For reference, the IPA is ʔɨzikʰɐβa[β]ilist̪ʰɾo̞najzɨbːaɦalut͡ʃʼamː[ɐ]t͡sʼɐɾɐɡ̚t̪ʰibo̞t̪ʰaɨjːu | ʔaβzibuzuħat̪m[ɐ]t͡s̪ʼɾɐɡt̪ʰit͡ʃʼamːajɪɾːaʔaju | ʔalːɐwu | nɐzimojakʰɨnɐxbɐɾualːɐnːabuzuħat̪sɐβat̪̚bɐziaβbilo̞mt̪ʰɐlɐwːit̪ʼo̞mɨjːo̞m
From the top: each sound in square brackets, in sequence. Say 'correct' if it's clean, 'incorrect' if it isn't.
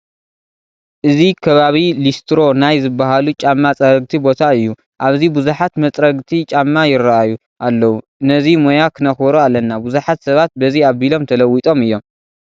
correct, incorrect, correct

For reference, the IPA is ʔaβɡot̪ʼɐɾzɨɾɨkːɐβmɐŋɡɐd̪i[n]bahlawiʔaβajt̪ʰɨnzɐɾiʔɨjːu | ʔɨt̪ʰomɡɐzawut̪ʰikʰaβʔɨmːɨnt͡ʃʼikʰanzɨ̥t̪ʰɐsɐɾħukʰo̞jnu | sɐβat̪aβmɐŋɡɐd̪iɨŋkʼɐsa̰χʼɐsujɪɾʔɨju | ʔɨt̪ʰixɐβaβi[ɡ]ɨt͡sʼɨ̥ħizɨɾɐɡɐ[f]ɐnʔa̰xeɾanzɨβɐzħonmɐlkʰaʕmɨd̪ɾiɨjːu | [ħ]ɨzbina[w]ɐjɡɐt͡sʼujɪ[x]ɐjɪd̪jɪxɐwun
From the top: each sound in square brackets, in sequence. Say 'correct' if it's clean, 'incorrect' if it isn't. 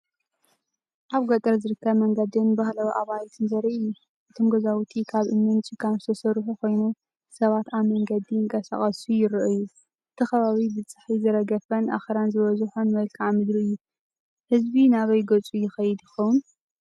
correct, incorrect, correct, incorrect, incorrect, correct

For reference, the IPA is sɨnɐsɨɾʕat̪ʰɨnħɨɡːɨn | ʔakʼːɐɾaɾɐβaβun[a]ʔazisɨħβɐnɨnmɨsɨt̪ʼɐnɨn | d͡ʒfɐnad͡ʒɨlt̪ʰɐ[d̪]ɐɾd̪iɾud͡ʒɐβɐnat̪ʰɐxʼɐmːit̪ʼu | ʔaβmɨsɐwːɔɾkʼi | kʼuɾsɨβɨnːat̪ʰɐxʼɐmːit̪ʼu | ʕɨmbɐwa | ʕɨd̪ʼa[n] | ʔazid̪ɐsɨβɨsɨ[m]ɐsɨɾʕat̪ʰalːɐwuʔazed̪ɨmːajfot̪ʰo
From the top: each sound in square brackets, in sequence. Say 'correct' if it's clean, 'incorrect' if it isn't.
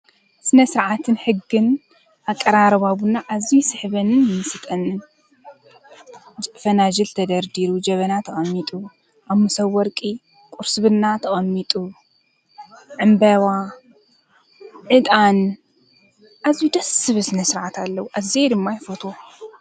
correct, correct, correct, incorrect

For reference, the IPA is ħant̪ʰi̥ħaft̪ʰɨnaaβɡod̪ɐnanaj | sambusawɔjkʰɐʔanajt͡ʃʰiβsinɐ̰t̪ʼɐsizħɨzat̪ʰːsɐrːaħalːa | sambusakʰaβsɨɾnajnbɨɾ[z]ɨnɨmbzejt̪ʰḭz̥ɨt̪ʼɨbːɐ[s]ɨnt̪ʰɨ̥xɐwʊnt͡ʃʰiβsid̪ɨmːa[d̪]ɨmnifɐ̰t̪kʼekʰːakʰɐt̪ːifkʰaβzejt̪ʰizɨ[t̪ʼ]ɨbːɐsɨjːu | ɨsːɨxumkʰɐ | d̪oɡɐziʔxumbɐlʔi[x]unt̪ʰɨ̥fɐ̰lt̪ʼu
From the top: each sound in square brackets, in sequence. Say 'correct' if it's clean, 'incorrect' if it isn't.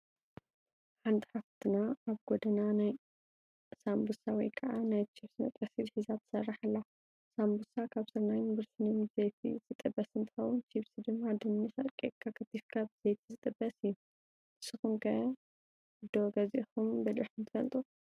incorrect, correct, correct, correct, incorrect

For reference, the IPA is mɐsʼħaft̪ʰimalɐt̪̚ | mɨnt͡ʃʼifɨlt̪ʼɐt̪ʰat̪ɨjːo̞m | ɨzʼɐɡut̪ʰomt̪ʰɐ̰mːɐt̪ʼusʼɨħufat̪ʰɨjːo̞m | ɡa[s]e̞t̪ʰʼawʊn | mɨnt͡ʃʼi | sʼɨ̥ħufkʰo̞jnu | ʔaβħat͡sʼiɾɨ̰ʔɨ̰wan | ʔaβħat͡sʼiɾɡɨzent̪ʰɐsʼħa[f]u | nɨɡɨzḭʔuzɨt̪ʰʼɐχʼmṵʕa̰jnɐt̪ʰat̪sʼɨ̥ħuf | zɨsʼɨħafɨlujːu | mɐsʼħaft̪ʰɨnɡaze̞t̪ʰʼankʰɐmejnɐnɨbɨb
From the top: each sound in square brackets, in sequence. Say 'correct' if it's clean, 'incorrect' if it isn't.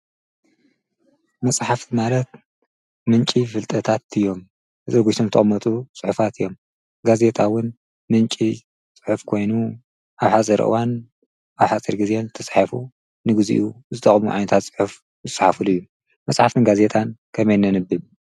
incorrect, correct

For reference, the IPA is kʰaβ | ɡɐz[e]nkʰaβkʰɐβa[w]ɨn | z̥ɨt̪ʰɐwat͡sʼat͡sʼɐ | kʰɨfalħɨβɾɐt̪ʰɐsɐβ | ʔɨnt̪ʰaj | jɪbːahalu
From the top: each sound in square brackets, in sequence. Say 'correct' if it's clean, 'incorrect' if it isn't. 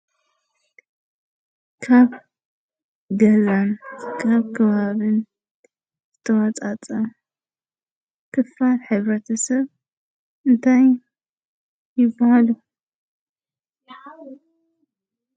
incorrect, incorrect

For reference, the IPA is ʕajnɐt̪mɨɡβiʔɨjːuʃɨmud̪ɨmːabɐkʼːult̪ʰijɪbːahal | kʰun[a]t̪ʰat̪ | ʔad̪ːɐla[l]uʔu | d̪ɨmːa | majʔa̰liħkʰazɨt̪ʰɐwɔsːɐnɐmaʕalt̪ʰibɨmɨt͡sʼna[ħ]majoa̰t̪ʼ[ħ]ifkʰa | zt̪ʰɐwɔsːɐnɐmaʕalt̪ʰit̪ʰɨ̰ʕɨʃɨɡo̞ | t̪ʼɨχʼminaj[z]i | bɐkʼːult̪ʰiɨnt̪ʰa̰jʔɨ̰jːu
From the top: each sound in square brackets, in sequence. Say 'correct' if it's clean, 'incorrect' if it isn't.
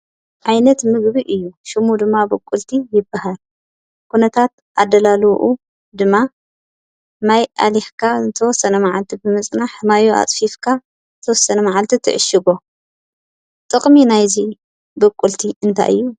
incorrect, correct, correct, incorrect, correct

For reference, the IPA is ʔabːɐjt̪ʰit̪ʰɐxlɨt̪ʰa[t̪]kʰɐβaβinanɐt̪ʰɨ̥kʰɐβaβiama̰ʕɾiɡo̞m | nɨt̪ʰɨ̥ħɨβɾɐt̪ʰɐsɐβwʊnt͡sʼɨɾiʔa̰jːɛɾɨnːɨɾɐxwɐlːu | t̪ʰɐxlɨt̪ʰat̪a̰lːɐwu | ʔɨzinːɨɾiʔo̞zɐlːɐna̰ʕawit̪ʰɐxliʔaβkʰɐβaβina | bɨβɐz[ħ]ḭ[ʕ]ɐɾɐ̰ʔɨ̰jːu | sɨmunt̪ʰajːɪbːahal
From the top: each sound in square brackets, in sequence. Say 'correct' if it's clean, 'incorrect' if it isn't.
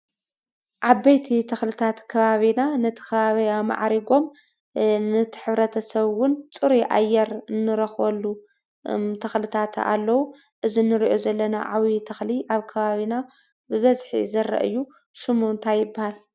correct, correct, incorrect

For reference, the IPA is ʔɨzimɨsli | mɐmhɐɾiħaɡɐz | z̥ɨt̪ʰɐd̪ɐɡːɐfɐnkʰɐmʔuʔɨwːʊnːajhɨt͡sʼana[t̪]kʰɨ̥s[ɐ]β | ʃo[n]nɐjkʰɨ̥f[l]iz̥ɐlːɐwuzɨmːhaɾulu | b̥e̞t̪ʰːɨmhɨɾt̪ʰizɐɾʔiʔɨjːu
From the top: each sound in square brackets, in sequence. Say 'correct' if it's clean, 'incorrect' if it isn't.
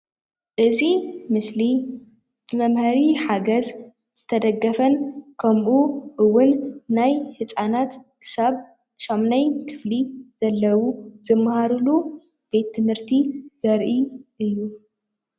correct, incorrect, incorrect, correct

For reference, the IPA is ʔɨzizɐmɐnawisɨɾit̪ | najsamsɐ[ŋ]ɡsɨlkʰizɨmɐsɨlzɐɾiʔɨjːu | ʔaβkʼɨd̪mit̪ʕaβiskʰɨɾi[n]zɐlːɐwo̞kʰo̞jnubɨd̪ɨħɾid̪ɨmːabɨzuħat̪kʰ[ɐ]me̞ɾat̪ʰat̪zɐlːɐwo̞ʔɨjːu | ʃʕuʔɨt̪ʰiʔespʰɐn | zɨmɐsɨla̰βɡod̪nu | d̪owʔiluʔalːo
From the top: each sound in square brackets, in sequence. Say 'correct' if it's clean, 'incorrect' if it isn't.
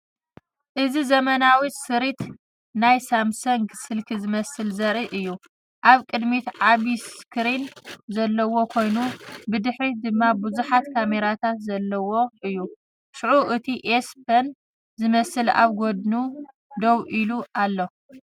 correct, correct, incorrect

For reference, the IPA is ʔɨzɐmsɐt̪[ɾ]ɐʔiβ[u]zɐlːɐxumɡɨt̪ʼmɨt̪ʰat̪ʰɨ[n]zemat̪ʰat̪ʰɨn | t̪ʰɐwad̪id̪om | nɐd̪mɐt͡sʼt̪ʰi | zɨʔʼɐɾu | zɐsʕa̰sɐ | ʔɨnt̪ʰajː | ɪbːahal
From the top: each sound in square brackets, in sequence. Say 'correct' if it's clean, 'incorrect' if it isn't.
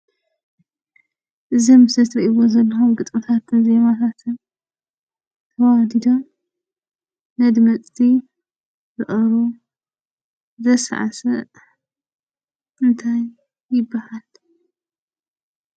correct, incorrect, correct

